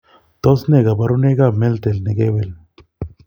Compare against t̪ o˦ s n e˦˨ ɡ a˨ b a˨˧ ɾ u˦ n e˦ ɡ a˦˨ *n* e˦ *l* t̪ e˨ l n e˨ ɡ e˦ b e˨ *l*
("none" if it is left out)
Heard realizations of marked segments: m, l, l

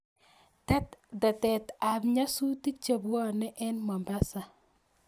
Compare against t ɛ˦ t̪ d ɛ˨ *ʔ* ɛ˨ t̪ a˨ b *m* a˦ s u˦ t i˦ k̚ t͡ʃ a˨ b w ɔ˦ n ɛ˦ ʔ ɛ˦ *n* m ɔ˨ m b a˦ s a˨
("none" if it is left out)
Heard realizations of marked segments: t, ɲ, n

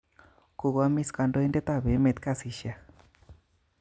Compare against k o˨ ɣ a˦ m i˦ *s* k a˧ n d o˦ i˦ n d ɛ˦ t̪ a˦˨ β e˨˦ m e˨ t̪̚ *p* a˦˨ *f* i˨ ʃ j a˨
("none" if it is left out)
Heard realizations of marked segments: s, k, s

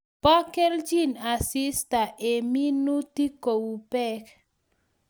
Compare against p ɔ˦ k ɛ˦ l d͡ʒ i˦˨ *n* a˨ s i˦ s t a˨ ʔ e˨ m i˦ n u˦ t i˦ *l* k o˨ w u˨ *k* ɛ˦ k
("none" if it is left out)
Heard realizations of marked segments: n, none, p

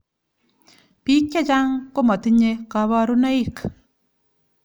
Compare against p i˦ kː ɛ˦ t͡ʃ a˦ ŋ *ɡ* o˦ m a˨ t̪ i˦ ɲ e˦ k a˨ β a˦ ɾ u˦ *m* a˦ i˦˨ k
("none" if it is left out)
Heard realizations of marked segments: k, n

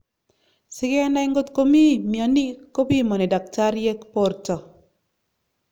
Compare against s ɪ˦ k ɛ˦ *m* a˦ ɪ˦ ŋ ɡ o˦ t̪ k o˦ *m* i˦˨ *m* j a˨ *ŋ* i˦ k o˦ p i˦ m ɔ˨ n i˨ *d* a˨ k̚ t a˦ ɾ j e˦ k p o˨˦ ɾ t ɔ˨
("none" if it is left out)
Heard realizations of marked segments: n, m, m, n, d

